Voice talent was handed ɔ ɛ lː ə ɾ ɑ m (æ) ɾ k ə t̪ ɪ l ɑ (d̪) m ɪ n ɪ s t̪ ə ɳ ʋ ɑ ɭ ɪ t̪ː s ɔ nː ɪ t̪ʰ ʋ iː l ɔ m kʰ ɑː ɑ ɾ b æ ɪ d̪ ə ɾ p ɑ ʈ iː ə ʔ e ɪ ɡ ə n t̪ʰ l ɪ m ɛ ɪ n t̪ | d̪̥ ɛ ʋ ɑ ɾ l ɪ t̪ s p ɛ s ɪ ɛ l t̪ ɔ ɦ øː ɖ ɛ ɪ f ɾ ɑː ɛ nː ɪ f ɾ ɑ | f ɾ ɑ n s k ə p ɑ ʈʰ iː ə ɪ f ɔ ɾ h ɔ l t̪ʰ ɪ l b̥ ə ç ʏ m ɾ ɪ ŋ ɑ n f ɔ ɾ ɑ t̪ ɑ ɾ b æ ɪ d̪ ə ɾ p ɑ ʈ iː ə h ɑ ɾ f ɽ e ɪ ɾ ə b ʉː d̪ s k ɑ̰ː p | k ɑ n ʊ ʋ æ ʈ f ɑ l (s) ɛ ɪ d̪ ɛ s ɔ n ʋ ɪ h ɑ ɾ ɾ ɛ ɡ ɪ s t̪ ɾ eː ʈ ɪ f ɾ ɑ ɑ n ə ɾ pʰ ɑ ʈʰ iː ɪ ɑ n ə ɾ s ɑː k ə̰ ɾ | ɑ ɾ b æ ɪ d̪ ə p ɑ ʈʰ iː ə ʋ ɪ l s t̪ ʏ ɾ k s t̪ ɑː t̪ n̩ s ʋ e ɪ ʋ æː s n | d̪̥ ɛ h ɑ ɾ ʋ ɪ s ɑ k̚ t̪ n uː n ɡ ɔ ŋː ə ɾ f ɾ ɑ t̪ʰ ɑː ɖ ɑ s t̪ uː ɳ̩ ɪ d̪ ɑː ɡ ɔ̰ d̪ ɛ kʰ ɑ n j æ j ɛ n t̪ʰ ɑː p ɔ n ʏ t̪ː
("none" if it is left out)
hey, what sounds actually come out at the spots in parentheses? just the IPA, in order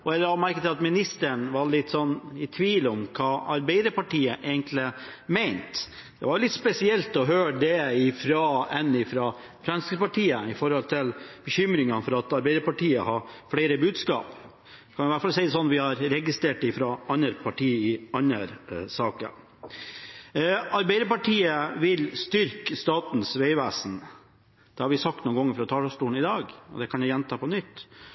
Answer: æ, t̪, s

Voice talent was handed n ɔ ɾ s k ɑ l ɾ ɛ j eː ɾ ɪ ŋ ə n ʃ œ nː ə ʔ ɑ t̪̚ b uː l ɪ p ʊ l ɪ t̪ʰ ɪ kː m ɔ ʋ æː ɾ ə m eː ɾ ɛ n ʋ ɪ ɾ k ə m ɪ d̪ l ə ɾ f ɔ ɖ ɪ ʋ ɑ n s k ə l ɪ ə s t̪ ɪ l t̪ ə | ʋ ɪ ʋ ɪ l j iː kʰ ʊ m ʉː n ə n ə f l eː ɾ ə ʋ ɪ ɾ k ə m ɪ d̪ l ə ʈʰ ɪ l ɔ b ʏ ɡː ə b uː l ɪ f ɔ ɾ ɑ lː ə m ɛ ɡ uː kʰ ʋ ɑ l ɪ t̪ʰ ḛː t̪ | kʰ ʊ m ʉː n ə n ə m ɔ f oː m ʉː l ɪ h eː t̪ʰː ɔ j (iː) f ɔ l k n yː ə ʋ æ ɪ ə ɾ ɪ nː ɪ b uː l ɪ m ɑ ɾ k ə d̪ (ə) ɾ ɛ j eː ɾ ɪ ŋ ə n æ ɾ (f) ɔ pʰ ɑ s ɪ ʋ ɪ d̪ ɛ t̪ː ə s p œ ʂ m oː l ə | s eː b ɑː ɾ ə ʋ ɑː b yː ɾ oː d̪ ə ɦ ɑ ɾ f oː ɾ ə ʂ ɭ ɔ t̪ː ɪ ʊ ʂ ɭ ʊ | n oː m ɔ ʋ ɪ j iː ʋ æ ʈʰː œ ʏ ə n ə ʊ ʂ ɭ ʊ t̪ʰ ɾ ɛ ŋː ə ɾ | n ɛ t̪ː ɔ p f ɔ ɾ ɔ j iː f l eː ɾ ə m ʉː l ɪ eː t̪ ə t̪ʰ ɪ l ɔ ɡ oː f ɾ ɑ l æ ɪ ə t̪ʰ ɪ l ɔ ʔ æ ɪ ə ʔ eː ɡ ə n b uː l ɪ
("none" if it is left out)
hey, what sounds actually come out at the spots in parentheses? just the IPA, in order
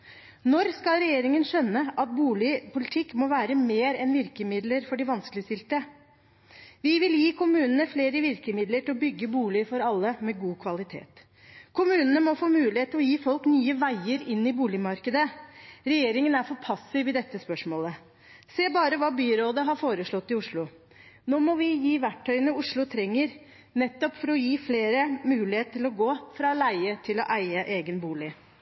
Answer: iː, ə, f

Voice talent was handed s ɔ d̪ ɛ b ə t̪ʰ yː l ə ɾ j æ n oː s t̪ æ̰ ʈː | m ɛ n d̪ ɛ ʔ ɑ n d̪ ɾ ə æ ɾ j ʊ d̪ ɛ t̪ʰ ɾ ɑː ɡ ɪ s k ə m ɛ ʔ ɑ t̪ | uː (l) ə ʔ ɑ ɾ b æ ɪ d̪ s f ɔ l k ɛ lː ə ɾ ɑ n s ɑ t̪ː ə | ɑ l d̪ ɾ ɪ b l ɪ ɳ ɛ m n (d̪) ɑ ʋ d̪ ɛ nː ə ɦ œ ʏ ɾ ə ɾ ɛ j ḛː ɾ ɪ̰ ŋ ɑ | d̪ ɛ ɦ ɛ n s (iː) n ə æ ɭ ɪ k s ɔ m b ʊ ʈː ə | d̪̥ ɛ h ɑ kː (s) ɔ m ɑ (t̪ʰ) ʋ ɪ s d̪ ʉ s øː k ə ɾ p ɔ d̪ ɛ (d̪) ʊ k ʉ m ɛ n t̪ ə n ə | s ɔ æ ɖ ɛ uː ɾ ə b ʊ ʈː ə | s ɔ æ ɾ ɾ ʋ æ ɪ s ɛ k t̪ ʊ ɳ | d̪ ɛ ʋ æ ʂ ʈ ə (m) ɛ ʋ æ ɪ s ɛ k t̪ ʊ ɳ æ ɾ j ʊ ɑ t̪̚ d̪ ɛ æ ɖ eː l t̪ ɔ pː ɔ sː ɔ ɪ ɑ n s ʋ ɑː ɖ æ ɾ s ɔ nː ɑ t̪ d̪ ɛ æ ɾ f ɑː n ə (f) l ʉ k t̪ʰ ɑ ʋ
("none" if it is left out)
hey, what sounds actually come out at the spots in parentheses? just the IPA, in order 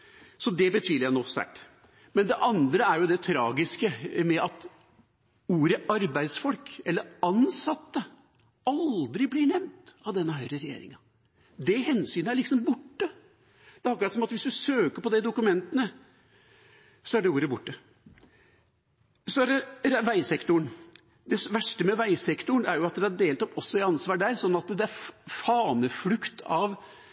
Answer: ɾ, t̪, yː, s, t̪, d̪, m, f

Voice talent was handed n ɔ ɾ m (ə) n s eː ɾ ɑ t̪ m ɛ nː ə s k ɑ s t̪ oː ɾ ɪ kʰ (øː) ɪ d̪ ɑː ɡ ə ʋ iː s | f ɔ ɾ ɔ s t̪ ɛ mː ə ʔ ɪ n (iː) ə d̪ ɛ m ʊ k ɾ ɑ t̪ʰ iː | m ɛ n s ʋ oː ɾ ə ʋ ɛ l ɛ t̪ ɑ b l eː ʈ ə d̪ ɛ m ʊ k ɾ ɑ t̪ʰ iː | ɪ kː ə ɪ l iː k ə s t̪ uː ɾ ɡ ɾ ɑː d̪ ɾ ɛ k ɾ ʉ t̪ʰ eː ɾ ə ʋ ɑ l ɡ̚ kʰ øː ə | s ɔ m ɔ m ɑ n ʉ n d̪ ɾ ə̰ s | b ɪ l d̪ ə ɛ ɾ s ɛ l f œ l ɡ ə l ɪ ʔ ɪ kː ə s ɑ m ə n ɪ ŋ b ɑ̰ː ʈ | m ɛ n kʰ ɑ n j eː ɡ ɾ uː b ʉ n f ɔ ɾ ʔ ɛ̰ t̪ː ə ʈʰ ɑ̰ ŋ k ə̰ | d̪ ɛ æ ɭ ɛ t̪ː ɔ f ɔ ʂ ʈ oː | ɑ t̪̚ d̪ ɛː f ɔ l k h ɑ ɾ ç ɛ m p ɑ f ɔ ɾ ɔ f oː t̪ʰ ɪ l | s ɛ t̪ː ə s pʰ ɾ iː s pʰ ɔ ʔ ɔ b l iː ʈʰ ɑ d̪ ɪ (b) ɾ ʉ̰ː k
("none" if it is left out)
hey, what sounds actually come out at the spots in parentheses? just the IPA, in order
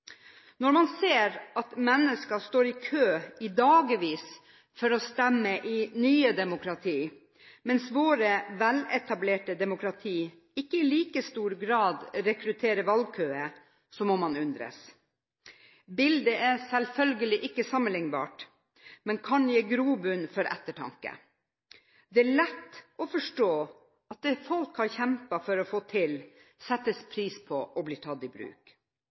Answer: ɑ, øː, yː, b

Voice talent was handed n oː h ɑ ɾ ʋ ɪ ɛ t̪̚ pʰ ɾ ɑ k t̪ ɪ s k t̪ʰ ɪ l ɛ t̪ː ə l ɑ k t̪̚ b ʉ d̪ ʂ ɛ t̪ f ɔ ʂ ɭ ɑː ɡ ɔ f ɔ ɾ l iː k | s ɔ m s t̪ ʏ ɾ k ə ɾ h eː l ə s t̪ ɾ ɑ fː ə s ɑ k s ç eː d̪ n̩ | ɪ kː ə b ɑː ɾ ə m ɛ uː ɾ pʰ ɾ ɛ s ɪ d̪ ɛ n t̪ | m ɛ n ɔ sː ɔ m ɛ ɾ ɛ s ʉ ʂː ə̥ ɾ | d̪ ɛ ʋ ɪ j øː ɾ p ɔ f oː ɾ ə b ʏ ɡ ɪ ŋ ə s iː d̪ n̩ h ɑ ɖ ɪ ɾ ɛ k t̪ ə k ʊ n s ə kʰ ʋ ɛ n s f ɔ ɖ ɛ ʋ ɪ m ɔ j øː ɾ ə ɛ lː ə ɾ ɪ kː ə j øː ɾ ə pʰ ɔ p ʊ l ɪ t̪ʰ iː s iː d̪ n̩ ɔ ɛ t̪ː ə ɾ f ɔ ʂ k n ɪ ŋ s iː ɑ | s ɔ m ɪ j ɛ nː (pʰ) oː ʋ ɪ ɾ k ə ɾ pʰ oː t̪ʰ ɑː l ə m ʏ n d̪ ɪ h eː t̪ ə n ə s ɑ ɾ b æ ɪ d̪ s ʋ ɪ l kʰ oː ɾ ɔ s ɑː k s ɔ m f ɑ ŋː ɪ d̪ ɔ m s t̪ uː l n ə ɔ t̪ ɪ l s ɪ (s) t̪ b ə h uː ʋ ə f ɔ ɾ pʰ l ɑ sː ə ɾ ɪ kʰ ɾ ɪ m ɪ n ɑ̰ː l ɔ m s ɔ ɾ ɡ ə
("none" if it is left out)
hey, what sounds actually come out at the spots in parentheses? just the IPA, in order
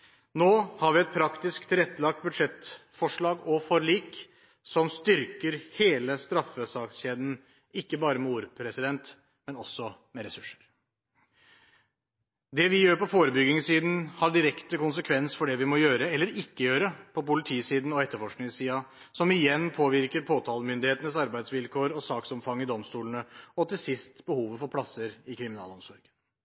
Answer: pʰ, s

